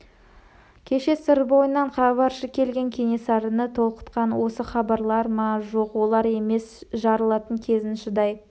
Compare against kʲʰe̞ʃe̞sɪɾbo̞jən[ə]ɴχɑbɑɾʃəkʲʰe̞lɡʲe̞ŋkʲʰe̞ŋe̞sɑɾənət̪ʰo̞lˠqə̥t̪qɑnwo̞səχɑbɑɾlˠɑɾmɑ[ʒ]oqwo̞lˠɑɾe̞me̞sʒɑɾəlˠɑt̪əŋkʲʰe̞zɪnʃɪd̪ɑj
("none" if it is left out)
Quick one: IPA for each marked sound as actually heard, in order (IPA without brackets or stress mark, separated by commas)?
ɑ, ʒ